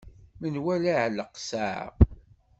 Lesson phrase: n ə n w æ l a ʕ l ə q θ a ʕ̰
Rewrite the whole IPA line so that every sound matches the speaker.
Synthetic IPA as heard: m ə n w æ l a ʕ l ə q s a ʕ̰